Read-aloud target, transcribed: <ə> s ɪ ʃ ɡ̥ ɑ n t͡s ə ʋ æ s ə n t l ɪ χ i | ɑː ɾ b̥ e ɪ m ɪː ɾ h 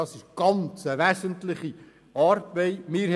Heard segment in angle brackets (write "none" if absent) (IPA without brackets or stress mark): ɑ